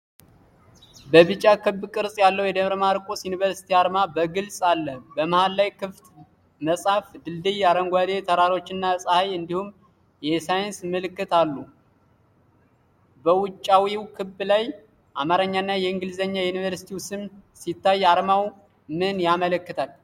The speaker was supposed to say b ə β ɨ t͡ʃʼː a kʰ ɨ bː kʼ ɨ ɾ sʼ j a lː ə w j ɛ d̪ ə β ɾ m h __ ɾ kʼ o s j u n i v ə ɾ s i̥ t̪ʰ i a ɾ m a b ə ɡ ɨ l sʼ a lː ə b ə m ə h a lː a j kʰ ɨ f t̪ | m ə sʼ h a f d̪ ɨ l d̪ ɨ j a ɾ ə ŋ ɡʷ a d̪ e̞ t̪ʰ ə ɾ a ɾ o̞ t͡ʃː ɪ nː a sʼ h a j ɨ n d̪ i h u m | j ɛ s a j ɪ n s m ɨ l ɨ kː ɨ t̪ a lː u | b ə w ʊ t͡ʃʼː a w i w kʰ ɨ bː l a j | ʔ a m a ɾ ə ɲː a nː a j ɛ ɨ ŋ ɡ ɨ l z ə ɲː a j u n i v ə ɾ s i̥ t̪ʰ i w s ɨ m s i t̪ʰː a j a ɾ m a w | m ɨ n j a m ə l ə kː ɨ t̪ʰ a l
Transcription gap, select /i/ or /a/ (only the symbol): a